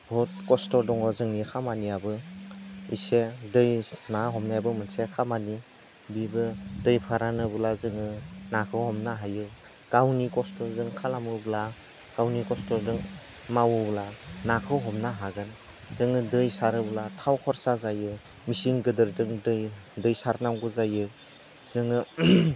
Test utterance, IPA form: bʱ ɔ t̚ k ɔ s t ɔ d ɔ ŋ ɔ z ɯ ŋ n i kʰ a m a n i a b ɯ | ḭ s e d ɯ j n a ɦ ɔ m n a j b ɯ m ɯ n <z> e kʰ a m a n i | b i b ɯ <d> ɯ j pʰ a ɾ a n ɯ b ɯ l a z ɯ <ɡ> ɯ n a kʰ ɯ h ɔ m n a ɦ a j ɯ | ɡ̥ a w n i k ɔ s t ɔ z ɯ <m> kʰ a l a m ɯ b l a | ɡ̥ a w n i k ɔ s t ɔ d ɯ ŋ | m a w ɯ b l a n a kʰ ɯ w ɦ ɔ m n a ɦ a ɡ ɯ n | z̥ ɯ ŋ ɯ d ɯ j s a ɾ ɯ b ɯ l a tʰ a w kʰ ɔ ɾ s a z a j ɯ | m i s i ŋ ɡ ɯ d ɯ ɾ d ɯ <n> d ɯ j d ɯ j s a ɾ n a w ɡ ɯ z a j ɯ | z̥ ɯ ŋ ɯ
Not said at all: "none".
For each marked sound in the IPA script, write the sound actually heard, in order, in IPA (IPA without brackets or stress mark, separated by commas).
s, d, ŋ, ŋ, ŋ